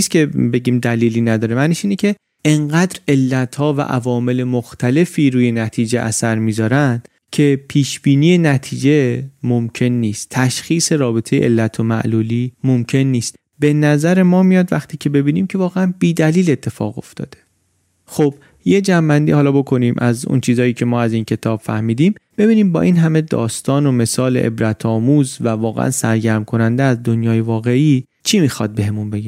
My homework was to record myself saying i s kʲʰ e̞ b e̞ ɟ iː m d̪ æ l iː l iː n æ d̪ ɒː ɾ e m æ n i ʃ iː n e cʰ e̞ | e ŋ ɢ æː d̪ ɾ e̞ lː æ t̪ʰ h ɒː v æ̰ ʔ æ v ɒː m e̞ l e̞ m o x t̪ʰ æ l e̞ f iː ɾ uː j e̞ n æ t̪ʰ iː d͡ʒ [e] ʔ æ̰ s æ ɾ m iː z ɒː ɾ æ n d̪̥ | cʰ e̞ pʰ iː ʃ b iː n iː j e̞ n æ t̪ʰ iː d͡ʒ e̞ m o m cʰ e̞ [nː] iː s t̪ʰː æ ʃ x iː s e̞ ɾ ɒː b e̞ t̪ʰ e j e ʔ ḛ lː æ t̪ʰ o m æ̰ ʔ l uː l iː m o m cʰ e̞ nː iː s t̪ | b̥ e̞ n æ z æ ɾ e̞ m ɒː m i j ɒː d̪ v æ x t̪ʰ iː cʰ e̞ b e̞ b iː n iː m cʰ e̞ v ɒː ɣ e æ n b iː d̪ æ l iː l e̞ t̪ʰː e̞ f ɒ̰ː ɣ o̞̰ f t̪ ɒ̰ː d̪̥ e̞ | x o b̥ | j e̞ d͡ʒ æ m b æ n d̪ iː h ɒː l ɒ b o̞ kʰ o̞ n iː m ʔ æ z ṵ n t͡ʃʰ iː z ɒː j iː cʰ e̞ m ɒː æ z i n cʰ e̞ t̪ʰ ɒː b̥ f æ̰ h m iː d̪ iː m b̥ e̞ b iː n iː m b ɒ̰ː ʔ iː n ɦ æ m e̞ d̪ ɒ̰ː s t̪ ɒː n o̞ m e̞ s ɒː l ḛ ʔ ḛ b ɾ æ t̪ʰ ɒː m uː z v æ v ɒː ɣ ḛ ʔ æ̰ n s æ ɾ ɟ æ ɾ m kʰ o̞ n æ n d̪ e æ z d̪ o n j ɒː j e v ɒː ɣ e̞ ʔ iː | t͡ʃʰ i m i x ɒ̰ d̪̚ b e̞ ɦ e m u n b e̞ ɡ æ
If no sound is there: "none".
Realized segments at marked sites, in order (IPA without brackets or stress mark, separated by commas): e, nː